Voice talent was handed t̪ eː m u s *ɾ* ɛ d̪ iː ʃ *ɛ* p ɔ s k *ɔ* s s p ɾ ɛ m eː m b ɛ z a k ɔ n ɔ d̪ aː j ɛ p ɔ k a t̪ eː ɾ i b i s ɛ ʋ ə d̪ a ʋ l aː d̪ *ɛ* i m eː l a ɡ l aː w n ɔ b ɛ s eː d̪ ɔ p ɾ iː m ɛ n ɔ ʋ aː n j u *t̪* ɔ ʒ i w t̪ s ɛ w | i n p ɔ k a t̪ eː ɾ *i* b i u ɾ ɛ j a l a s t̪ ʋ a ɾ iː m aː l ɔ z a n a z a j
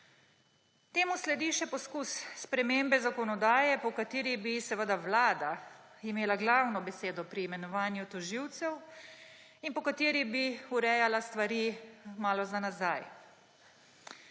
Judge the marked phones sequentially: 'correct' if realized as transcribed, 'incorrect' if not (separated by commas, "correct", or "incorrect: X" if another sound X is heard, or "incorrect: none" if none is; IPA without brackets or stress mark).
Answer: incorrect: l, correct, incorrect: u, incorrect: a, correct, correct